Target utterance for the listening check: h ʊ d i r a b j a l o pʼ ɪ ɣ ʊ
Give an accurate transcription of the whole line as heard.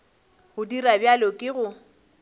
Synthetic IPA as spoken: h ʊ d i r a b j a l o kʼ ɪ ɣ ʊ